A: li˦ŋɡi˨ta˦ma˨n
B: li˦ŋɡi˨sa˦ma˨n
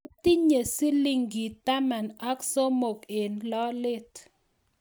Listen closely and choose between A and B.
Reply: A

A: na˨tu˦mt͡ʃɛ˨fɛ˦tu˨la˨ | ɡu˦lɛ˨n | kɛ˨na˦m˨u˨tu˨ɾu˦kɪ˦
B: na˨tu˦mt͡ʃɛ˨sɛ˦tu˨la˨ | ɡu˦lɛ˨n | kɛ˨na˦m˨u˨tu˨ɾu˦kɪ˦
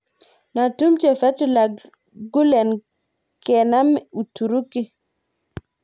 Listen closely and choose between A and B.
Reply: A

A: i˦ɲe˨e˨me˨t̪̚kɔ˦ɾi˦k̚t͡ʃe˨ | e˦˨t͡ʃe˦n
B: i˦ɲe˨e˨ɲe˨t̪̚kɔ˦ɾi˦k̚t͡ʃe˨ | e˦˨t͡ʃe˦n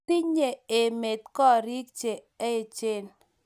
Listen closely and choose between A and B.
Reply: A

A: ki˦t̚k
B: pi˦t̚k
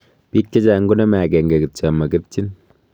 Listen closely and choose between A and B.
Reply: B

